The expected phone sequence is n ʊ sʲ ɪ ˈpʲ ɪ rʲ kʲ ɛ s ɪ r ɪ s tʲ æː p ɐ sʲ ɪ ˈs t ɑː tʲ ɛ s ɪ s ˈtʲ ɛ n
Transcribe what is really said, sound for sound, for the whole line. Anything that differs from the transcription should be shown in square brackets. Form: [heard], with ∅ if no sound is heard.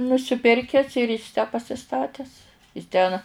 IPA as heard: n ʊ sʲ ɪ ˈpʲ ɪ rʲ kʲ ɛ s ɪ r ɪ s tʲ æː p ɐ sʲ ɪ ˈs t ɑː tʲ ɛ s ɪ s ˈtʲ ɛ n